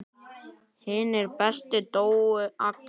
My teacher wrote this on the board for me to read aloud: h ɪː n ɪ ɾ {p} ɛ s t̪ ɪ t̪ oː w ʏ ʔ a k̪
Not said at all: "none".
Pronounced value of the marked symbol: p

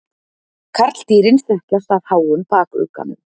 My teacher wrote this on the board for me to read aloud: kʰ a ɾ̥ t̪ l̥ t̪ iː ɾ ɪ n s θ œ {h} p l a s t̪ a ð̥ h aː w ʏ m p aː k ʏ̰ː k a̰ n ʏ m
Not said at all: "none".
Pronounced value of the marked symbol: h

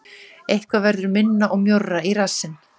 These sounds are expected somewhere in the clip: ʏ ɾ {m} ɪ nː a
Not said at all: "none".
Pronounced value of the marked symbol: m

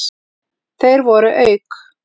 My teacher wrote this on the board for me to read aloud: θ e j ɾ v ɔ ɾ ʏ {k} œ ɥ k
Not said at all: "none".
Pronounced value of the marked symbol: ʔ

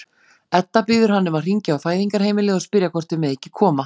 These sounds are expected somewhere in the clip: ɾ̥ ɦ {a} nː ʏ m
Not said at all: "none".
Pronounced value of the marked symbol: a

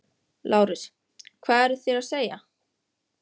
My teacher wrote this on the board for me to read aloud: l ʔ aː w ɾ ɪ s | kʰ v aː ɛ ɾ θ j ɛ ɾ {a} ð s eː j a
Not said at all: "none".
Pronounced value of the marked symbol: a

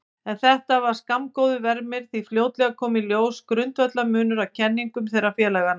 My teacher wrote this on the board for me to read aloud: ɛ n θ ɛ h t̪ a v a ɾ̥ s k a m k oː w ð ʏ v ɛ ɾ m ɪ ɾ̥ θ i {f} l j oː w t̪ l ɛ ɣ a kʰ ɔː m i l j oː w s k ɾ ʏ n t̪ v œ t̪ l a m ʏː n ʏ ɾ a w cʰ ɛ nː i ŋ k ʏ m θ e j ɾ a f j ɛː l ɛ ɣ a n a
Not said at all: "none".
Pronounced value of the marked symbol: f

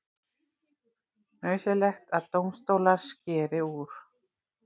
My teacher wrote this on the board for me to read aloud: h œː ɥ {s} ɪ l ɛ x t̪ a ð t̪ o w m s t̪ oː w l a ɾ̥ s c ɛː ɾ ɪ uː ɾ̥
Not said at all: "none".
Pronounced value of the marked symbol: s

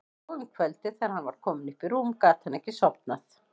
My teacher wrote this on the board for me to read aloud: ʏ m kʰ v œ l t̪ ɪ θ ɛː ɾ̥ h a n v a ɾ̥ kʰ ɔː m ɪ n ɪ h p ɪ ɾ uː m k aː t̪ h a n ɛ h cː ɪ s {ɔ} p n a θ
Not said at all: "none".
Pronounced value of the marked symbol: ɔ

